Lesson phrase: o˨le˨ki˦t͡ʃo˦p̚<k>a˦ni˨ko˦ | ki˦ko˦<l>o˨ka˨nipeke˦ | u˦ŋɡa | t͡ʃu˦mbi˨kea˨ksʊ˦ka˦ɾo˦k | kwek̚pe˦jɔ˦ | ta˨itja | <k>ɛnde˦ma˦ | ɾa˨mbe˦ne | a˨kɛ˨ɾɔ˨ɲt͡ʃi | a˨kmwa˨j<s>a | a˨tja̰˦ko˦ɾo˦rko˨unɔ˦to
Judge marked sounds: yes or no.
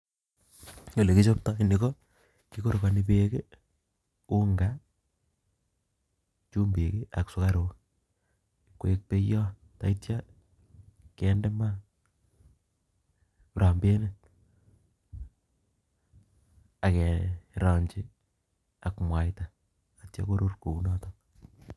no, no, yes, no

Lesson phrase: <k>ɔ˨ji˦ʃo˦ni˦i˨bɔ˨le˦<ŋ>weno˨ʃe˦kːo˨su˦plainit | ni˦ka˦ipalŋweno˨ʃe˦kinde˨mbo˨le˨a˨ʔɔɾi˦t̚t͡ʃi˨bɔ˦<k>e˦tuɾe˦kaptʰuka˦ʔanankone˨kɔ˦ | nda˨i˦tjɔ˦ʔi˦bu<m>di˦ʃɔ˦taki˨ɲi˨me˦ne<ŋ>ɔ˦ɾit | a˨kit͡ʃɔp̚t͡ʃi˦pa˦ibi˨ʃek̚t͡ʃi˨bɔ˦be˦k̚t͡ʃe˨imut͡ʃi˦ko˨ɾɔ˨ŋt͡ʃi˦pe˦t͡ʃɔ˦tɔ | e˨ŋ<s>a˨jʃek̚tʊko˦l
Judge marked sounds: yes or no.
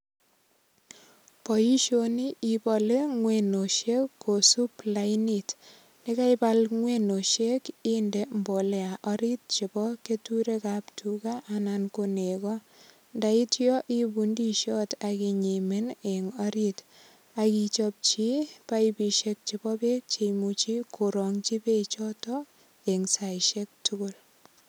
no, yes, yes, no, yes, yes

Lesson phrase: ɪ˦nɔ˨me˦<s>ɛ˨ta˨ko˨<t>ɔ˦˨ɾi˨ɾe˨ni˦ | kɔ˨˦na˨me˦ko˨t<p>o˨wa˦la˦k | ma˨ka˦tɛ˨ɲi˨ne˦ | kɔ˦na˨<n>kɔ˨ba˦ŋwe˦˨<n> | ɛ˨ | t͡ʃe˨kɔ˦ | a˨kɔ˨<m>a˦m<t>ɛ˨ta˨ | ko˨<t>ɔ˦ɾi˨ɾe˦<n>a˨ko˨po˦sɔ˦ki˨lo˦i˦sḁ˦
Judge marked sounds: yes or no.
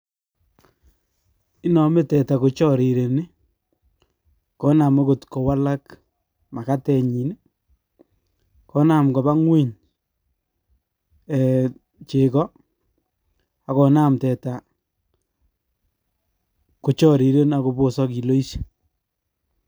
no, no, no, no, no, no, yes, no, yes

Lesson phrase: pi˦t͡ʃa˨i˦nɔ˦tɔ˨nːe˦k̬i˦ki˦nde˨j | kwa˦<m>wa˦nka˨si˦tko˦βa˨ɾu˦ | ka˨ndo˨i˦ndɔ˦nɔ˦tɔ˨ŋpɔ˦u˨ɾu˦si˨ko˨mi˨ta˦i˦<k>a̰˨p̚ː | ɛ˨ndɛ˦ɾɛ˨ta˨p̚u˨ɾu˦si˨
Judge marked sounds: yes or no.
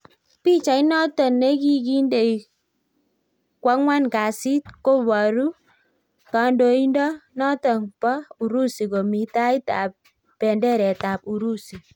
no, no

